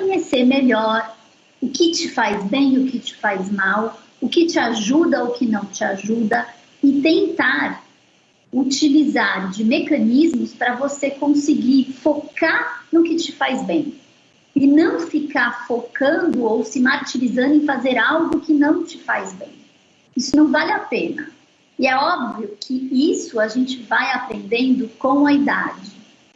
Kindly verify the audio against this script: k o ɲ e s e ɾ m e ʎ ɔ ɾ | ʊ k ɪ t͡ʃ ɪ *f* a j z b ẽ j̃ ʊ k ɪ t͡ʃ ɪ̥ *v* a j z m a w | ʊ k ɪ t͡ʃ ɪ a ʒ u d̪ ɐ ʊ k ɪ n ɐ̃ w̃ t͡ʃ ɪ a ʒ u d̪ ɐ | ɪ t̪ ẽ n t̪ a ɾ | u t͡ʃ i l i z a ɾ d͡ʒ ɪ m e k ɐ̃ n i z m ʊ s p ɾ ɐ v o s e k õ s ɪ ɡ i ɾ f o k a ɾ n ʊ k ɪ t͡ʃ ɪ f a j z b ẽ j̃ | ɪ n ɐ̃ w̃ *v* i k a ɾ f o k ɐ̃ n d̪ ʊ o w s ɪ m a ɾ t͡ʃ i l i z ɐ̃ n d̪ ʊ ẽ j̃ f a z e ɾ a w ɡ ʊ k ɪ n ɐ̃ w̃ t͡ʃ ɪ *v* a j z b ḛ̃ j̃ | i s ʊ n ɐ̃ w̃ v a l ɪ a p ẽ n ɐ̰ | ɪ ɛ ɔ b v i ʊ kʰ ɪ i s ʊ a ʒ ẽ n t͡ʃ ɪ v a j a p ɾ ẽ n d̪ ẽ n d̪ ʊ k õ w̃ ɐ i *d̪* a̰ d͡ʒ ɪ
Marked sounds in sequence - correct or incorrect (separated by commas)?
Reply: correct, incorrect, incorrect, incorrect, correct